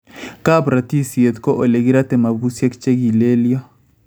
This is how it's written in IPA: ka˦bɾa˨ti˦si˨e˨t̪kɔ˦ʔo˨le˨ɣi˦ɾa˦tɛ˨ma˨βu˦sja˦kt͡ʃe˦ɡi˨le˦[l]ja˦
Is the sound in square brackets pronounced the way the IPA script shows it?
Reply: yes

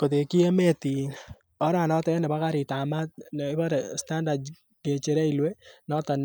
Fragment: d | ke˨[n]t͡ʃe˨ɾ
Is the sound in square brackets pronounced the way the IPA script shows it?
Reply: no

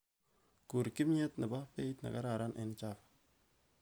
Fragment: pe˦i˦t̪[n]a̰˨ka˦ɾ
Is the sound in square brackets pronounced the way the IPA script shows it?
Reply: yes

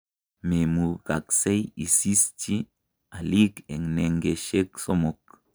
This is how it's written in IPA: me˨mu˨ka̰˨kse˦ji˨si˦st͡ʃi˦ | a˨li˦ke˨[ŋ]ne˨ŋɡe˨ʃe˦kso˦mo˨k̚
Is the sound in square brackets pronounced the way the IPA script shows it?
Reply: yes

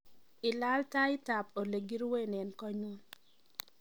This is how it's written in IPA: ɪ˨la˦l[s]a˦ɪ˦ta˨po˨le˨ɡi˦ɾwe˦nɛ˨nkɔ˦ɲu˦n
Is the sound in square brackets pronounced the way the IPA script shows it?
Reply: no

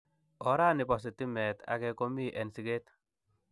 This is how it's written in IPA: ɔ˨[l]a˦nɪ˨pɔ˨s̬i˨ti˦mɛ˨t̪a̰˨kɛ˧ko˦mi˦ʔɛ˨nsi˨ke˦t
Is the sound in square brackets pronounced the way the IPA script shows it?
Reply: no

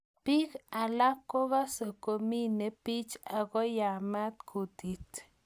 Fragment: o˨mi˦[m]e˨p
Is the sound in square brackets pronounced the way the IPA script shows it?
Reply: no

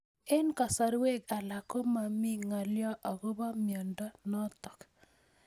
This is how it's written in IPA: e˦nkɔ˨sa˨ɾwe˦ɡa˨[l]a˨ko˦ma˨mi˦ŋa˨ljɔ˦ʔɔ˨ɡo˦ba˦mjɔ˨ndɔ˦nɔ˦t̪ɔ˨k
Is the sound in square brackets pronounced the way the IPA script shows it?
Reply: yes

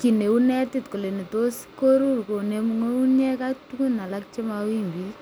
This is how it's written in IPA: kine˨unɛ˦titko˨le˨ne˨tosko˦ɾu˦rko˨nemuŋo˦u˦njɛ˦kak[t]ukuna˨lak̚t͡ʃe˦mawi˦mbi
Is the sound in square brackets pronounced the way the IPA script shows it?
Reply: yes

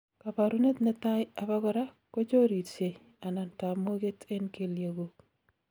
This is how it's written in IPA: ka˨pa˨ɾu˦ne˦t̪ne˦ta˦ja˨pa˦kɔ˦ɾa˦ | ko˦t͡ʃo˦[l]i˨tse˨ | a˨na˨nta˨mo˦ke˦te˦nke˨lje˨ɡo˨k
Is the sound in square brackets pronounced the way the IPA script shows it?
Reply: no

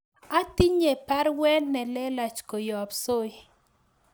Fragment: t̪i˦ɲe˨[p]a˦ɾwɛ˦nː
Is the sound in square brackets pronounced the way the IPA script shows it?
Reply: yes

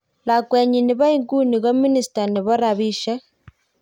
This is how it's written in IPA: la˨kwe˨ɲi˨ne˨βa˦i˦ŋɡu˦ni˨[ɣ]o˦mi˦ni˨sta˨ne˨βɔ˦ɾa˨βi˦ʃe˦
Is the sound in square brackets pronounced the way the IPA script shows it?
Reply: yes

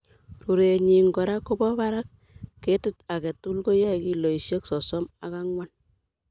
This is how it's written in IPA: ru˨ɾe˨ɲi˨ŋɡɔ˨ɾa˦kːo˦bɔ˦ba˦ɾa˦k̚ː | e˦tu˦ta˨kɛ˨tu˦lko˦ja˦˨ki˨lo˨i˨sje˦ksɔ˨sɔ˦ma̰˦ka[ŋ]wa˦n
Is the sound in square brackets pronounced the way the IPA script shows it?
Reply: yes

